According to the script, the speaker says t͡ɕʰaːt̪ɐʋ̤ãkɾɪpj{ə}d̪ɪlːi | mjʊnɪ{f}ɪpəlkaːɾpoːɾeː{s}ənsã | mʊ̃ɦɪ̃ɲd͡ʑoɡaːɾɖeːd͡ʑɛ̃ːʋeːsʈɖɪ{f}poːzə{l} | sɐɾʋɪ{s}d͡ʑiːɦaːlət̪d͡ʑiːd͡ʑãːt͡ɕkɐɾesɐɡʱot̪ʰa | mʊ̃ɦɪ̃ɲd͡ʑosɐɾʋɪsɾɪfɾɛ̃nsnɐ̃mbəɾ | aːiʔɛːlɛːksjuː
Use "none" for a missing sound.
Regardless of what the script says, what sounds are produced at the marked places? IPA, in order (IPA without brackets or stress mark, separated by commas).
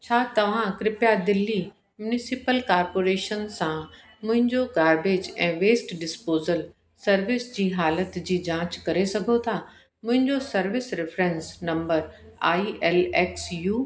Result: a, s, ʃ, s, l, s